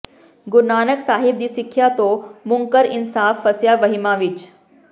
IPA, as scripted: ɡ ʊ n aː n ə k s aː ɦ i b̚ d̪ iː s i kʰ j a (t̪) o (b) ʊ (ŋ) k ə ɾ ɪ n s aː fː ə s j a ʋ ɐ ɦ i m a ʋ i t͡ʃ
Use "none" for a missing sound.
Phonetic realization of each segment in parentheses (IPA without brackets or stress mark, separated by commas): t̪, m, ŋ